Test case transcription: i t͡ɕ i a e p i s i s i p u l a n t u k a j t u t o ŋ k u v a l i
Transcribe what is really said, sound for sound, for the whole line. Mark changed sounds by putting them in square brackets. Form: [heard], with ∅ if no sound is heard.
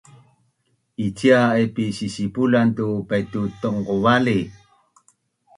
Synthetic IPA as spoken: i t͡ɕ i a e p i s i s i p u l a n t u [p] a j t u t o ŋ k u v a l i